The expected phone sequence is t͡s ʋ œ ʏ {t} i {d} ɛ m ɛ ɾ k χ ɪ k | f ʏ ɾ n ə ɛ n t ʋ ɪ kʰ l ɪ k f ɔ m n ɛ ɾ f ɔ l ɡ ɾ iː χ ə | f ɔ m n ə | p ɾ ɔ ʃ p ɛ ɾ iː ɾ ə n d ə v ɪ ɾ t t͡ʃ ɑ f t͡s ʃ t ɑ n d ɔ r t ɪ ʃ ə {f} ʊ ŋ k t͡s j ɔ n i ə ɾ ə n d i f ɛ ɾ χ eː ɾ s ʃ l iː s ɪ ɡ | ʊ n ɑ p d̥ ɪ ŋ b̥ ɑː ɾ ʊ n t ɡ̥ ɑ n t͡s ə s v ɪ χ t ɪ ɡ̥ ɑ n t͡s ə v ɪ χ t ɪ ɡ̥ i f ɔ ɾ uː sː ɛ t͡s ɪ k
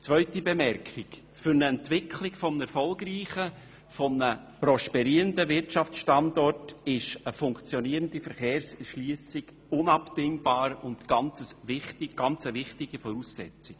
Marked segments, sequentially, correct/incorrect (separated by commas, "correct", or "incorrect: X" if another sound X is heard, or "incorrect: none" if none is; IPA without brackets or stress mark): correct, incorrect: b, correct